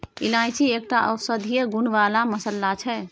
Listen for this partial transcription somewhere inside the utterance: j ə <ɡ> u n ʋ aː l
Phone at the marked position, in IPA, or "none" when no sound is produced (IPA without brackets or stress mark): ɡ